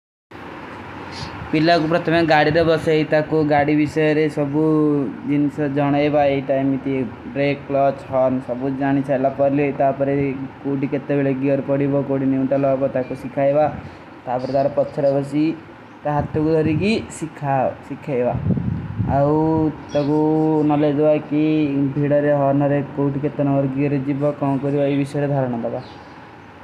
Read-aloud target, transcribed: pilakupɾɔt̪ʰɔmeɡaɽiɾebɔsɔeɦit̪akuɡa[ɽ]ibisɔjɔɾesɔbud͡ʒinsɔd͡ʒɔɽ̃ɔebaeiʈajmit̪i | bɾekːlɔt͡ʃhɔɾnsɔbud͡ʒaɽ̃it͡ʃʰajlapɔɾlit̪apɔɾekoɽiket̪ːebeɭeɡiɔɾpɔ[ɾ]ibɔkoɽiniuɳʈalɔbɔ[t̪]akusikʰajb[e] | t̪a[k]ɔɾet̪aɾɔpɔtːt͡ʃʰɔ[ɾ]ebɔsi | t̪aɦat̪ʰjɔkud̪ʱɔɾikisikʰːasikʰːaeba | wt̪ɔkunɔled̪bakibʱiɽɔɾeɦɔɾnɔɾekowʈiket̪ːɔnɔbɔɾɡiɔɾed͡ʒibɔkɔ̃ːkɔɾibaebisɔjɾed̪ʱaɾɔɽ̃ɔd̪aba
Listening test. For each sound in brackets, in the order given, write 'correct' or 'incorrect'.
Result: correct, incorrect: ɽ, correct, incorrect: a, incorrect: p, correct

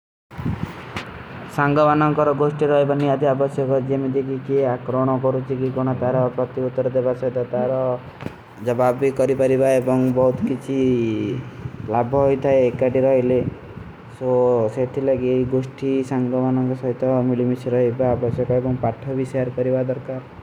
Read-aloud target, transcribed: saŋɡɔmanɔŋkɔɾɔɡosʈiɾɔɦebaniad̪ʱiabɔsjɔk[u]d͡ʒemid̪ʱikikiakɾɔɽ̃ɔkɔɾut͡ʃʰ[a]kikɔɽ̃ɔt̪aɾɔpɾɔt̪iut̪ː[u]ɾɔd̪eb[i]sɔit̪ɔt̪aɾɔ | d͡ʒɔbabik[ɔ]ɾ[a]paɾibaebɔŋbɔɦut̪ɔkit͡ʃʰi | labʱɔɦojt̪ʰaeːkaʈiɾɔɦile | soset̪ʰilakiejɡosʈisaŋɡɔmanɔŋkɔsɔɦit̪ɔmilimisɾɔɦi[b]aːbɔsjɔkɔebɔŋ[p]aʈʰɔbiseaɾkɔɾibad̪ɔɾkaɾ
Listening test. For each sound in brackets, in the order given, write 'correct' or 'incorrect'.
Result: incorrect: ɔ, incorrect: i, incorrect: ɔ, incorrect: a, correct, incorrect: i, correct, correct

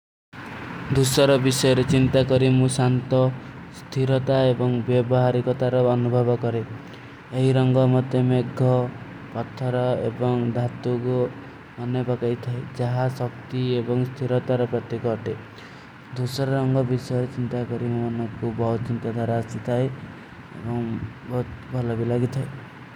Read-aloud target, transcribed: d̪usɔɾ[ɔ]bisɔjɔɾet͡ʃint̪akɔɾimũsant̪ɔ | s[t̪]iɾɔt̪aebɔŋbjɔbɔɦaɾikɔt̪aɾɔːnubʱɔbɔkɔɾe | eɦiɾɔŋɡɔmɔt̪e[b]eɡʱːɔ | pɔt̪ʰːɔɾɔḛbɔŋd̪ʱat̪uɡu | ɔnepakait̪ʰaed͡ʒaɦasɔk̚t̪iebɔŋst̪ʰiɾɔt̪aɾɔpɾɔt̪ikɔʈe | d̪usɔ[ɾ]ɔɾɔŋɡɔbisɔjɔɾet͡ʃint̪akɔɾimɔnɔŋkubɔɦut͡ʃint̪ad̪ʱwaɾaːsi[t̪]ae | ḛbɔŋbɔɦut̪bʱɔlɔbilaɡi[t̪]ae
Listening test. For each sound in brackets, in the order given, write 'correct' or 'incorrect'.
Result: correct, incorrect: t̪ʰ, incorrect: m, correct, incorrect: t̪ʰ, incorrect: t̪ʰ

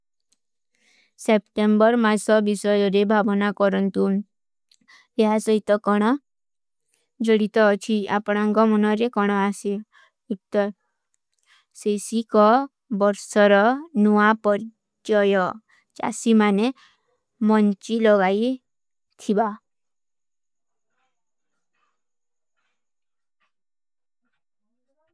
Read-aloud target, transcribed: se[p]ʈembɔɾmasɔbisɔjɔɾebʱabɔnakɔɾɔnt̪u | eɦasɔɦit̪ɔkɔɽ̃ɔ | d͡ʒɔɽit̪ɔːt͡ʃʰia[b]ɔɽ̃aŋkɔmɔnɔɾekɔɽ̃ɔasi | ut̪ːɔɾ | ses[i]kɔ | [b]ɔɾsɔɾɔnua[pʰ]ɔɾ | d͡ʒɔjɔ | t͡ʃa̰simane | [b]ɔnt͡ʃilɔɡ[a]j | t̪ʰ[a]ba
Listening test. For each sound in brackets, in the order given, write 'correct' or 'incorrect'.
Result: correct, incorrect: p, correct, correct, incorrect: p, incorrect: m, correct, incorrect: i

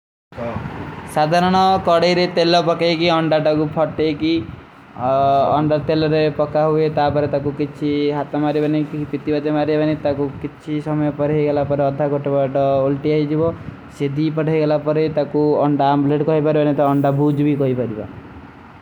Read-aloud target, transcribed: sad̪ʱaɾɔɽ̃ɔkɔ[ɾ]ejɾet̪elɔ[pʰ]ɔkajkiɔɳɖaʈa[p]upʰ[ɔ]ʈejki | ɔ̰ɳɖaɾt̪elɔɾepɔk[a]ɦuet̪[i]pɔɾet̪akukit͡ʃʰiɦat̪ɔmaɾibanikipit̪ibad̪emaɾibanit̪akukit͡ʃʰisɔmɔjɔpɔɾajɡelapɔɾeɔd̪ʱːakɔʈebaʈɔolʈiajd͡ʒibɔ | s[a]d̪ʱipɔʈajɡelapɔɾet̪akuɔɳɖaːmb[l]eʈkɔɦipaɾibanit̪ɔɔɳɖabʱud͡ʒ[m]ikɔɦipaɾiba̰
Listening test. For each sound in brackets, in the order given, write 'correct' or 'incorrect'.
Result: incorrect: ɽ, incorrect: p, incorrect: k, correct, correct, incorrect: a, incorrect: e, correct, incorrect: b

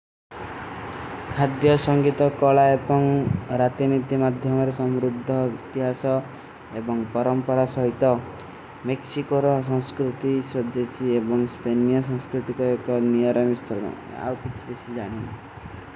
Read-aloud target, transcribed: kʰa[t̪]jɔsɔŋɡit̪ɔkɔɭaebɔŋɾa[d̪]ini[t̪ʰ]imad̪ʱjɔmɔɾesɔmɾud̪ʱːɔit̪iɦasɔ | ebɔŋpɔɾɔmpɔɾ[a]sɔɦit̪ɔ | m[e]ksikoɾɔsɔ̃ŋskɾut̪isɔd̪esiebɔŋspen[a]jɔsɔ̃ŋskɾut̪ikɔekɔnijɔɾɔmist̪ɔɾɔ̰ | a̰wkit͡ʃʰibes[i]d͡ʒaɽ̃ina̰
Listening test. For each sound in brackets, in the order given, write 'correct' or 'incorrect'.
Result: incorrect: d̪, incorrect: t̪, incorrect: t̪, correct, correct, incorrect: i, correct

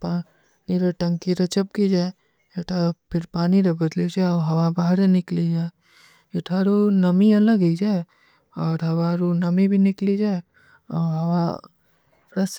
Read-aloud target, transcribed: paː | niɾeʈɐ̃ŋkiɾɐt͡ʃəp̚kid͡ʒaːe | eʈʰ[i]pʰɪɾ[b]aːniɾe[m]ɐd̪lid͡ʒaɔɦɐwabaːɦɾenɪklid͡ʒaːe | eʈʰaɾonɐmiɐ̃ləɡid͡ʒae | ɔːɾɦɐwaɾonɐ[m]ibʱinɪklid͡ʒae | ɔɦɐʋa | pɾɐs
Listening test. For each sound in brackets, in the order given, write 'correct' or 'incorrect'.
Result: incorrect: a, incorrect: p, incorrect: b, correct

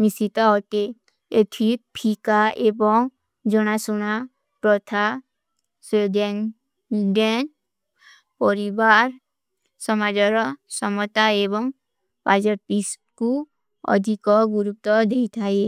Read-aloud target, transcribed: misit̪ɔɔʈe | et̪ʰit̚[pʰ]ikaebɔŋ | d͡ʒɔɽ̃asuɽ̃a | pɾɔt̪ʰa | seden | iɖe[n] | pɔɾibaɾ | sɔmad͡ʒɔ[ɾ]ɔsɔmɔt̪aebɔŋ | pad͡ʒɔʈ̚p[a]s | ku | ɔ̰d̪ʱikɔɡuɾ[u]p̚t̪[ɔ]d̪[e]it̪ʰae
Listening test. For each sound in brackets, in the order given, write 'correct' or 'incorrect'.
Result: correct, correct, correct, incorrect: i, correct, correct, correct

